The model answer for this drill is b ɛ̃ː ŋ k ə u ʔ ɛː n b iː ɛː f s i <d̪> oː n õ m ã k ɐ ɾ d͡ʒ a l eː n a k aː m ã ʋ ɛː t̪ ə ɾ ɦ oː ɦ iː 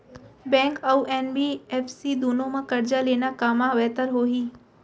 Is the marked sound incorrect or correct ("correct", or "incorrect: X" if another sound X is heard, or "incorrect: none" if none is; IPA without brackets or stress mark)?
correct